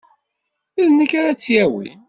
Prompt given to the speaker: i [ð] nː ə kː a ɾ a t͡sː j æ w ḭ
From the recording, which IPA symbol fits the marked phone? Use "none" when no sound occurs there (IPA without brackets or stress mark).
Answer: ð